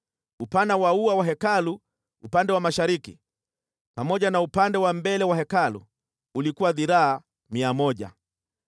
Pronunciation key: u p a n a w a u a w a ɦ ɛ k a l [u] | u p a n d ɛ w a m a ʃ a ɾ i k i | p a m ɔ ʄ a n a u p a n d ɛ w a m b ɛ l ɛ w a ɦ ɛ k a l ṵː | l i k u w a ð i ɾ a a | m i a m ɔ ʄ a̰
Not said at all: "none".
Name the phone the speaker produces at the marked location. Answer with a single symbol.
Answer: u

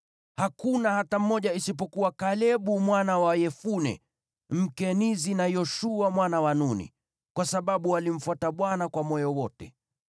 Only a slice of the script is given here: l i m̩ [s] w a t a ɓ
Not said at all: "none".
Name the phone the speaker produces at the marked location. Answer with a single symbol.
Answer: f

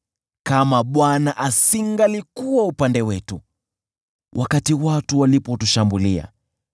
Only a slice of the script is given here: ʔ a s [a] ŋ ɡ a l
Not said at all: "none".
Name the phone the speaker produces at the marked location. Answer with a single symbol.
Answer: i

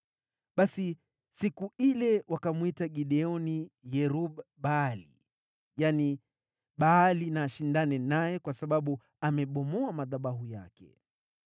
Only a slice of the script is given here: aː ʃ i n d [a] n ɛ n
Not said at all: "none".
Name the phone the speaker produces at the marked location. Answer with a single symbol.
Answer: a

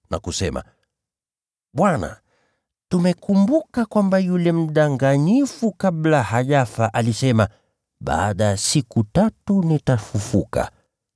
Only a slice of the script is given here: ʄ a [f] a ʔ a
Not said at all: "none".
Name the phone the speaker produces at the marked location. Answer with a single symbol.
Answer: f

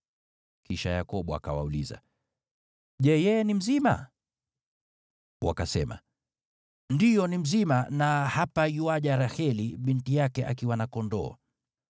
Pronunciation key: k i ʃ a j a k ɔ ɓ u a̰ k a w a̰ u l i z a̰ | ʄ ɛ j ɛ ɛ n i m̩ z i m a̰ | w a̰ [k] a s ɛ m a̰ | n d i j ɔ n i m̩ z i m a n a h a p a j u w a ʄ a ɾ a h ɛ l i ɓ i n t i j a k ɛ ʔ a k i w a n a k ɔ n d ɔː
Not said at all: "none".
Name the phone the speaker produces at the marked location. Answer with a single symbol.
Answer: k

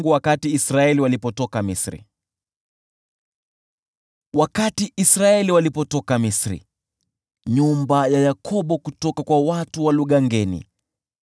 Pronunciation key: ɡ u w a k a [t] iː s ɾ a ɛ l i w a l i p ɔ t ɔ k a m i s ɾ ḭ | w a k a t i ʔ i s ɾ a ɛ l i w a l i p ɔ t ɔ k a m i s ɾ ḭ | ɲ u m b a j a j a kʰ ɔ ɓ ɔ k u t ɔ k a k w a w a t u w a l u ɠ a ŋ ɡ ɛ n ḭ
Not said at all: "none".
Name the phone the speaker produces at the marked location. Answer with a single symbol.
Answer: t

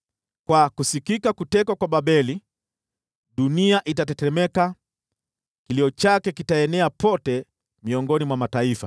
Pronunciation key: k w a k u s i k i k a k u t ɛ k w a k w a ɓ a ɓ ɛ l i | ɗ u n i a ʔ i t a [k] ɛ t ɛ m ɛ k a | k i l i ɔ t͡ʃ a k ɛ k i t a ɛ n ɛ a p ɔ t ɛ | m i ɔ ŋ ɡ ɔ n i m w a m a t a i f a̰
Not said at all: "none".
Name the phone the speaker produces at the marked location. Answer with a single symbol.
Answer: t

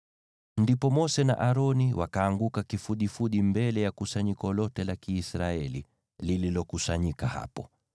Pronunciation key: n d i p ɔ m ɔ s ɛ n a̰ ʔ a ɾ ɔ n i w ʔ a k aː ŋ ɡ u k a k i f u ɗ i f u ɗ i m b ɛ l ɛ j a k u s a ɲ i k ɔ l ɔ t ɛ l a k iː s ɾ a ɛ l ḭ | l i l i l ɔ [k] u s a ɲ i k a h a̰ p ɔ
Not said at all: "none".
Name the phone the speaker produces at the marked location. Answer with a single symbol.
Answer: k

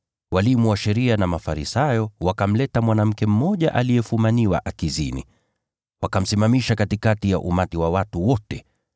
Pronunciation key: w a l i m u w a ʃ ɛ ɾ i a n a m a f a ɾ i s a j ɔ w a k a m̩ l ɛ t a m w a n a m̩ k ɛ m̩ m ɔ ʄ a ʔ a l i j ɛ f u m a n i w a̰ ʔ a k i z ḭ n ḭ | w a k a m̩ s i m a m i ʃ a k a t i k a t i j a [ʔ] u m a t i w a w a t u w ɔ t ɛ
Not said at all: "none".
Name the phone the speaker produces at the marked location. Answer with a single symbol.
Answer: ʔ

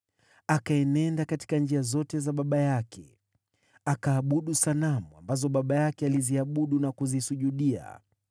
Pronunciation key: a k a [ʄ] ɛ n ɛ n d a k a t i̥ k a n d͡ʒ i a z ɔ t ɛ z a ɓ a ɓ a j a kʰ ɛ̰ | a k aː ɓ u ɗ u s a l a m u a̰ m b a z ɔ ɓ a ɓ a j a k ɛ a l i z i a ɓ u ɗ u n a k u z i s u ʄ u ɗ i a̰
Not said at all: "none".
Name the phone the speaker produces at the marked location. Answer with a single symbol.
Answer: none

